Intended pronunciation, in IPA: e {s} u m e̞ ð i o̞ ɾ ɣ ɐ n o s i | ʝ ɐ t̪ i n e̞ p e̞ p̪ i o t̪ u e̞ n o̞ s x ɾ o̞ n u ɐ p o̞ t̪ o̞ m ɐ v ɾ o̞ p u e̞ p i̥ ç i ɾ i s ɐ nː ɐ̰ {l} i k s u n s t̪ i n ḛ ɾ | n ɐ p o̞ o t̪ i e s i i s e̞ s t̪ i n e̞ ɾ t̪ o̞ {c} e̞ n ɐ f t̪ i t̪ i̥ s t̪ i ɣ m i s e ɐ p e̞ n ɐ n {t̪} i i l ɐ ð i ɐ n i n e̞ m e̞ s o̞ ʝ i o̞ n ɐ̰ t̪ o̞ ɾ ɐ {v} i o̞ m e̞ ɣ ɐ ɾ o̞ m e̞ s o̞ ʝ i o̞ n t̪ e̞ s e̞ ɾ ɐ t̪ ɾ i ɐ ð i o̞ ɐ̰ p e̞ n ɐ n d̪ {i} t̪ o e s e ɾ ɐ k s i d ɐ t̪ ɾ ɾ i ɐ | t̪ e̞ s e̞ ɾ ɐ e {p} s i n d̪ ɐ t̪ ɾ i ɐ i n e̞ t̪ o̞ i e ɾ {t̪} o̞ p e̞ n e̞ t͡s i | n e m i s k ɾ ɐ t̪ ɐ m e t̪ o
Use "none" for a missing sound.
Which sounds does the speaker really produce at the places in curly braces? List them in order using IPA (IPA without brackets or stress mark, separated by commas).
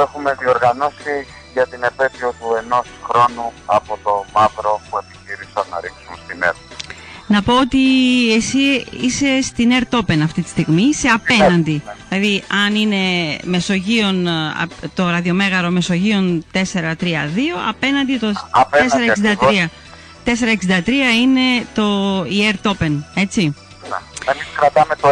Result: x, ɾ, p, d̪, ð, i, k, t̪